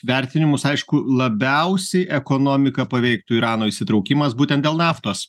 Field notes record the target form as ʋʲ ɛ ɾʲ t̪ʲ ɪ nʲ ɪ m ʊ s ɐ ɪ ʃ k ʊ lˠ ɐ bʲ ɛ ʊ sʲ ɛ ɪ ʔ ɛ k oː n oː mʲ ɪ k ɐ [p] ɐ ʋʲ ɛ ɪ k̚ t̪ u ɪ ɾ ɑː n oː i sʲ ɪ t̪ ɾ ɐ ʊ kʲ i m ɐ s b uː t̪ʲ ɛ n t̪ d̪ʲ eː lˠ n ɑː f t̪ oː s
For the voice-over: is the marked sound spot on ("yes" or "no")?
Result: yes